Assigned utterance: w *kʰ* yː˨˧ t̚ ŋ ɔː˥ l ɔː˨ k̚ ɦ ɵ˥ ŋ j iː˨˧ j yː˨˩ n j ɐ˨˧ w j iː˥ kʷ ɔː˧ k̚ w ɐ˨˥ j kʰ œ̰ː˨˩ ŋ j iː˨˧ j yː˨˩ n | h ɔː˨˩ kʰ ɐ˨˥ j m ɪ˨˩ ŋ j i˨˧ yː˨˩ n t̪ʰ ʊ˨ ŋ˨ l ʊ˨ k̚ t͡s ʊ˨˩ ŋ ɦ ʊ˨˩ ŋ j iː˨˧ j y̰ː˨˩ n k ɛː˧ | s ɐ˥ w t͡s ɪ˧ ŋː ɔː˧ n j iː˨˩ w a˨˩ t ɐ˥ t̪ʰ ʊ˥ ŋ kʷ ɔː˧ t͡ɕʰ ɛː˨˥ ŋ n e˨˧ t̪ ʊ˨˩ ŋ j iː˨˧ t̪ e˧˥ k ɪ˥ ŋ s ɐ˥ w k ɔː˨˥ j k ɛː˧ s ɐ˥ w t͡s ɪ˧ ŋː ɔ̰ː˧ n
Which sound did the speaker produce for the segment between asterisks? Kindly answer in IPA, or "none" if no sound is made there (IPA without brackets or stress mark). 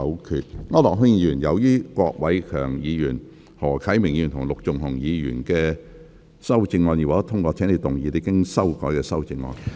kʰ